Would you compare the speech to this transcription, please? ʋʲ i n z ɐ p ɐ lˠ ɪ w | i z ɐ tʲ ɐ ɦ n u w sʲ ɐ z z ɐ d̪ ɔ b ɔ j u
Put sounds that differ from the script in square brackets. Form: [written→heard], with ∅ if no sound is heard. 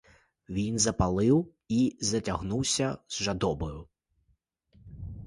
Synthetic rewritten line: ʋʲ i n z ɐ p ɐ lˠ ɪ w | i z ɐ tʲ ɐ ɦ n u w sʲ ɐ z [z→ʒ] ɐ d̪ ɔ b ɔ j [u→ʊ]